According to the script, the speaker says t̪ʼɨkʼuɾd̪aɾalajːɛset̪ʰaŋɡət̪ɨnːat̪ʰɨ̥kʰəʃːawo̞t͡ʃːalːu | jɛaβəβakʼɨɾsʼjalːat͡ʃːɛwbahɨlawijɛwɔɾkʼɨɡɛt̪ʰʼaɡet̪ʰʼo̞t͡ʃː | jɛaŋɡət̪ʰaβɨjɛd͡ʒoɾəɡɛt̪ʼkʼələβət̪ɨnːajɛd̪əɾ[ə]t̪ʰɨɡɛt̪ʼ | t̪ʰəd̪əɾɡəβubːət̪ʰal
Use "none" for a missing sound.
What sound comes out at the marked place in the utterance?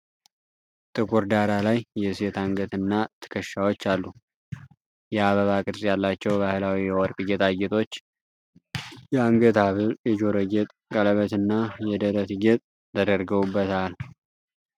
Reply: ə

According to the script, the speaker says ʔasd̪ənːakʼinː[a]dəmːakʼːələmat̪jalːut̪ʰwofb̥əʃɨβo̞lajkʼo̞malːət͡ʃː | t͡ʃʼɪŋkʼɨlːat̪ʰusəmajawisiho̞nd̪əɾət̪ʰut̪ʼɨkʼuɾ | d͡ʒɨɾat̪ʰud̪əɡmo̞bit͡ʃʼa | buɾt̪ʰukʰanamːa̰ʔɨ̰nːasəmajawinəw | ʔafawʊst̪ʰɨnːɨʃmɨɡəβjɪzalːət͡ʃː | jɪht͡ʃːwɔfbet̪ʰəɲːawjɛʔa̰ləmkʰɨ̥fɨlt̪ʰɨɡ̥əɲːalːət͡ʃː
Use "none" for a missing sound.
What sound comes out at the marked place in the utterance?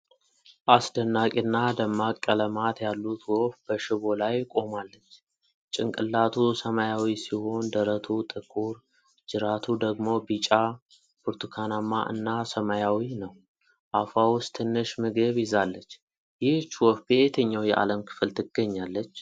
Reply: a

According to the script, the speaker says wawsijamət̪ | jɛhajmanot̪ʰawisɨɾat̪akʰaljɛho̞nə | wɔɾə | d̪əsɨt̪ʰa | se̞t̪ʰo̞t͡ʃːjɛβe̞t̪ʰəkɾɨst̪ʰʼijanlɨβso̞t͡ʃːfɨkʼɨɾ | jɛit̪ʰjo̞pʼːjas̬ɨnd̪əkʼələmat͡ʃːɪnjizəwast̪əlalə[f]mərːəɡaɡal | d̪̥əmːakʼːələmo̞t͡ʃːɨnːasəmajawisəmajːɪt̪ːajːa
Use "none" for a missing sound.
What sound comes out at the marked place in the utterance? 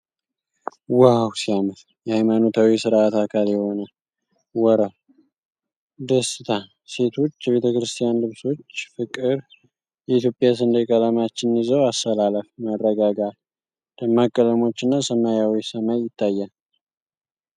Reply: f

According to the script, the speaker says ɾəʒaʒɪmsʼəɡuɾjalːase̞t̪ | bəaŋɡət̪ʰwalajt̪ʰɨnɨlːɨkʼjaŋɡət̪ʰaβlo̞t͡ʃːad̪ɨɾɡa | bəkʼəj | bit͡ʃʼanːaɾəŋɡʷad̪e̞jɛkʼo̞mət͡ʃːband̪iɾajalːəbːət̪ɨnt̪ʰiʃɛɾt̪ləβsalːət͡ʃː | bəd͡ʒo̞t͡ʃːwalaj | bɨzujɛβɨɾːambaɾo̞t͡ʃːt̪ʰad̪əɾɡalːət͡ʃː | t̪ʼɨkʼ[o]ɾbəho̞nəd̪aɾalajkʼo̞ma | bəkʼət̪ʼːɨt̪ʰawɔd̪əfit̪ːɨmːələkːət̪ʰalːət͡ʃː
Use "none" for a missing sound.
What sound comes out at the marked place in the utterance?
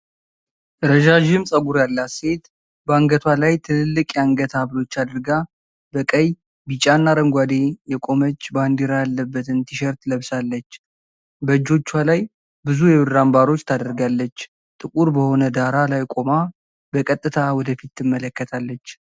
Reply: u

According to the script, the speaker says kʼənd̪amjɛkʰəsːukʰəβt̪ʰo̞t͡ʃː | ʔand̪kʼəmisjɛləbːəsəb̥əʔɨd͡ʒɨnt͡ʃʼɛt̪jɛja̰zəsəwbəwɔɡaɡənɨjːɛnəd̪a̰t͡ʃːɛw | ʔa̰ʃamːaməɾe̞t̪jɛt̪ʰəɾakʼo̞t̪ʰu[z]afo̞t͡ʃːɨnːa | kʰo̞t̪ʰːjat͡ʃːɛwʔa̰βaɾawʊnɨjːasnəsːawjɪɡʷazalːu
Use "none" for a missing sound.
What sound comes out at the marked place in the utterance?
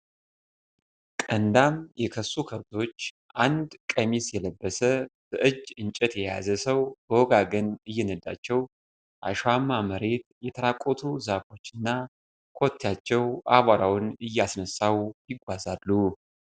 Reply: z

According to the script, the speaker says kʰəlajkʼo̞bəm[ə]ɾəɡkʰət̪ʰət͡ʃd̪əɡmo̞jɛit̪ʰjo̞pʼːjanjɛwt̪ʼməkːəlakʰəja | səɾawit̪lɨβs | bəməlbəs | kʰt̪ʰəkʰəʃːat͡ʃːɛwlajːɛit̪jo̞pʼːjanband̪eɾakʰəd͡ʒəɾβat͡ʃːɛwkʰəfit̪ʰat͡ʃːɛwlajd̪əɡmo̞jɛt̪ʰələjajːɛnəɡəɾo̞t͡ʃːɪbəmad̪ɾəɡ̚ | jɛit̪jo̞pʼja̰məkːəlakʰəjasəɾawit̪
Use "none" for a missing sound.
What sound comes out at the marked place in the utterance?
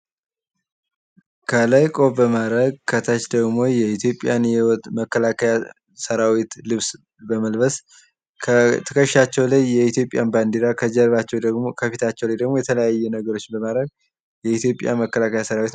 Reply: a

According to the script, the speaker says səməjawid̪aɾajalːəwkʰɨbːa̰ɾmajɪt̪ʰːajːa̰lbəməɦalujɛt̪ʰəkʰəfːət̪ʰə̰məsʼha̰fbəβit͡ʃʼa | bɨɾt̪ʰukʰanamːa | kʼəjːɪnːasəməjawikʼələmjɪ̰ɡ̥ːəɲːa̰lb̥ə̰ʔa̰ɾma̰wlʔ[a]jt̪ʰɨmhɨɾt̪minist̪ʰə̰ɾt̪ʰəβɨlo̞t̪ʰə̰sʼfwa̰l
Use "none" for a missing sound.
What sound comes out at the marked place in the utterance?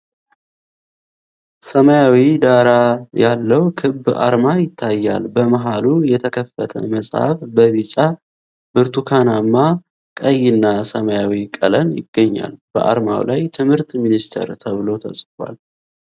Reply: a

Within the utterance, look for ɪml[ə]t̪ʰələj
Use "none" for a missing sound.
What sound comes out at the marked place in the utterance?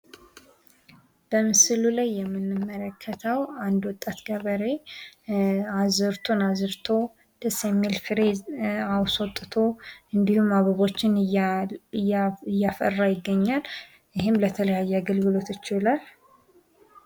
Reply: ə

